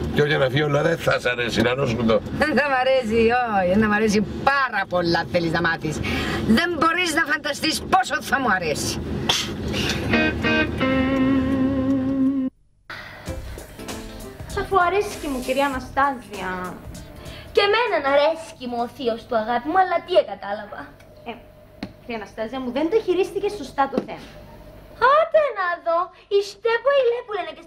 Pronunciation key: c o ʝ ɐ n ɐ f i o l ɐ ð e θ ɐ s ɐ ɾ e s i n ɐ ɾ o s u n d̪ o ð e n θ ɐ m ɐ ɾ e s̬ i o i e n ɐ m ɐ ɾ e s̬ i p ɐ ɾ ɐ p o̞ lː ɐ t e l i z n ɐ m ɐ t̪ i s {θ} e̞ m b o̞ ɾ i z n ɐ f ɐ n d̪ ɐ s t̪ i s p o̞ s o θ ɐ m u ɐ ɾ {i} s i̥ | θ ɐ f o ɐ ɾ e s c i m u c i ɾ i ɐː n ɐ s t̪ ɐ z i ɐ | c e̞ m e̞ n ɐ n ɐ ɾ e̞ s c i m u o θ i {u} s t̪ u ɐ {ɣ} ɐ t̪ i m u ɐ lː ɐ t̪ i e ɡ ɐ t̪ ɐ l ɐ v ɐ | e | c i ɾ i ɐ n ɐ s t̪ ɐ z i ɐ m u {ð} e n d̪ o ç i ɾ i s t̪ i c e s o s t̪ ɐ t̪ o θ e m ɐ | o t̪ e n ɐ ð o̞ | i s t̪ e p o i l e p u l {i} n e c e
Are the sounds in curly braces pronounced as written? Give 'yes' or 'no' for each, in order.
no, no, no, yes, yes, no

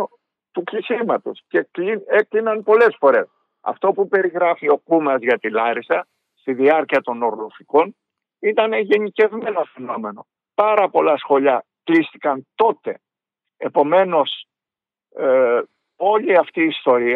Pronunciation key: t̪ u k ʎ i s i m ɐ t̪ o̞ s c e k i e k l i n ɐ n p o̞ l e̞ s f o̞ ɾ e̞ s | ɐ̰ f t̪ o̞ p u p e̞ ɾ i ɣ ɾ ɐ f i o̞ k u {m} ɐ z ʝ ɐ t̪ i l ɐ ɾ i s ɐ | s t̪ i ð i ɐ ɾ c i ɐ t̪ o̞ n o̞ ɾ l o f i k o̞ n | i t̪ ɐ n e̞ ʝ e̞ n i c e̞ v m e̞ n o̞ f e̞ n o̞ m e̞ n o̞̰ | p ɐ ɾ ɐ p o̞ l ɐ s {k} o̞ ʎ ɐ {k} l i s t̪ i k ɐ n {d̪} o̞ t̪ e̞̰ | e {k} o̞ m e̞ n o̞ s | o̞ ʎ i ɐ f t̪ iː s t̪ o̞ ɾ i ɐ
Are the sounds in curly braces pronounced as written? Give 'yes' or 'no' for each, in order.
yes, no, yes, no, no

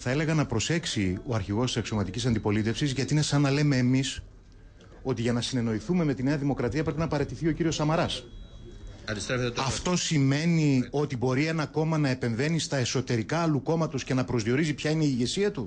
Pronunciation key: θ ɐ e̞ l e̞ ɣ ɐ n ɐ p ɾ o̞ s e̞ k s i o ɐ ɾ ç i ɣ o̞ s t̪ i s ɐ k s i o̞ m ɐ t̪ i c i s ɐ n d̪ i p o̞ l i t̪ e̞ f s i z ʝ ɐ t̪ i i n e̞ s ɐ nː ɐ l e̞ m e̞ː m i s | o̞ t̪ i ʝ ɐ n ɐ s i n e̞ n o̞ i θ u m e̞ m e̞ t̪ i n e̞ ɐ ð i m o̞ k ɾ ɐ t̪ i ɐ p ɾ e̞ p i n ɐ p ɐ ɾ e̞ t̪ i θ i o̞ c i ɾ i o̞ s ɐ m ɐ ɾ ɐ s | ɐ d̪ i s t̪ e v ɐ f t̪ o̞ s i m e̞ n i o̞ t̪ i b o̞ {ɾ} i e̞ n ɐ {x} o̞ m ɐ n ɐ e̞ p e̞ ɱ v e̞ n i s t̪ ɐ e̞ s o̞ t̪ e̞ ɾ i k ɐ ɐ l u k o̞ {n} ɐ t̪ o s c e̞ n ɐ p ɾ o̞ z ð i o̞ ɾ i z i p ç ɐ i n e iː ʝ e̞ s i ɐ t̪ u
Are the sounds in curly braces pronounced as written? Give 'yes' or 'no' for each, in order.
yes, no, no

